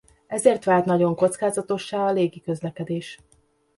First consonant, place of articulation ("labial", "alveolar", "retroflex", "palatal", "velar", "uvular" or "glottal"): alveolar